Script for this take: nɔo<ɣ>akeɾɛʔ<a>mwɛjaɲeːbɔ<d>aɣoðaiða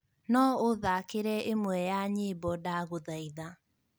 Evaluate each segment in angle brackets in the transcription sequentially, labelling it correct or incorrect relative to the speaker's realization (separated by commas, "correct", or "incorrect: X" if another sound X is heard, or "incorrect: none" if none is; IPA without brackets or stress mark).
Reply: incorrect: ð, incorrect: e, correct